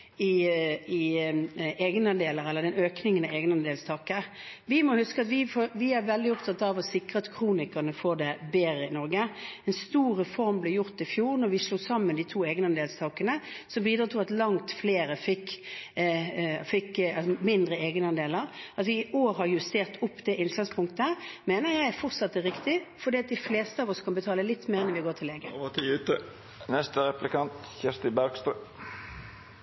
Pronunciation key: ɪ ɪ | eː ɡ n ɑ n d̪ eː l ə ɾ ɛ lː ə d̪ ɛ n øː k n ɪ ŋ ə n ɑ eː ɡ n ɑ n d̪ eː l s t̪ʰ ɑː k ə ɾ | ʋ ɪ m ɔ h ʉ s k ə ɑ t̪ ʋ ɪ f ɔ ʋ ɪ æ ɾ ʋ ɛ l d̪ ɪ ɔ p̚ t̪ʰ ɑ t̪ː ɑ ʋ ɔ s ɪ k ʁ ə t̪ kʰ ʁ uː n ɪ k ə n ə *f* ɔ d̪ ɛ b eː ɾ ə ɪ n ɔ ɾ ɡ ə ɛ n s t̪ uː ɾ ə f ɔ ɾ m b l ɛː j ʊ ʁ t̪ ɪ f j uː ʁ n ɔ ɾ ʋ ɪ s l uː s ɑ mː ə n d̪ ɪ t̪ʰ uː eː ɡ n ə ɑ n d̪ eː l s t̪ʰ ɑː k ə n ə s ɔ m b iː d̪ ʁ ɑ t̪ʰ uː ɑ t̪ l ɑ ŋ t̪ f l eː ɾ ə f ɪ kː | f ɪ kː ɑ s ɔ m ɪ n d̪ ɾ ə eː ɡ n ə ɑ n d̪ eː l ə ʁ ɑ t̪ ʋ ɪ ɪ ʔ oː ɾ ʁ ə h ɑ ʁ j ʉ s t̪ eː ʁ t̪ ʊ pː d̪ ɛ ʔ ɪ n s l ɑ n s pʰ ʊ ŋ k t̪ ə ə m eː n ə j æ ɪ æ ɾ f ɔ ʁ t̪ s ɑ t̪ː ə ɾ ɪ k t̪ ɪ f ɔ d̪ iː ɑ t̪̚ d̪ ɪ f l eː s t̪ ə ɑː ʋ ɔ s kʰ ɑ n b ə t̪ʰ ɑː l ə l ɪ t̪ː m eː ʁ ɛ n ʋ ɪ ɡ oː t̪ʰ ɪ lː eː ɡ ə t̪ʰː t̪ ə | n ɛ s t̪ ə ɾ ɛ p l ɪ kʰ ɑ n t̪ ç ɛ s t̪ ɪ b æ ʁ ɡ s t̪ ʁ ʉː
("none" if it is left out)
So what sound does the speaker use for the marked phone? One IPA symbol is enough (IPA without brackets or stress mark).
f